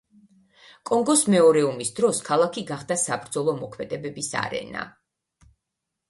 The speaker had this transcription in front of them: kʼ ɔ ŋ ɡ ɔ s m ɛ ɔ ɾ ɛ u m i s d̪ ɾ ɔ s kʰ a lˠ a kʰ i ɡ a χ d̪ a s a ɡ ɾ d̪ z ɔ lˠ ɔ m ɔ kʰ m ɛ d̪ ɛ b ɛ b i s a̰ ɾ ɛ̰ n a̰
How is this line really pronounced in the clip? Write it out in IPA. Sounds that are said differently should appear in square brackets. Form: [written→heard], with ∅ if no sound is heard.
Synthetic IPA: kʼ ɔ ŋ ɡ ɔ s m ɛ ɔ ɾ ɛ u m i s d̪ ɾ ɔ s kʰ a lˠ a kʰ i ɡ a χ d̪ a s a [ɡ→b] ɾ d̪ z ɔ lˠ ɔ m ɔ kʰ m ɛ d̪ ɛ b ɛ b i s a̰ ɾ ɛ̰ n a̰